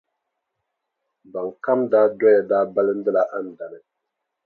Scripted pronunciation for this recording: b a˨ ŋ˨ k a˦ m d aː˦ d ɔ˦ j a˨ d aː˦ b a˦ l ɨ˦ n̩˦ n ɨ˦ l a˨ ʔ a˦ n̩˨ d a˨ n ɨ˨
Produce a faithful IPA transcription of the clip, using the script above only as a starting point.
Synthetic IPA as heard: b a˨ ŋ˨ k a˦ m d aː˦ d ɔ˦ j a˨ d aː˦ b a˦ l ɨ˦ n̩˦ d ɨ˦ l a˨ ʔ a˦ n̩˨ d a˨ n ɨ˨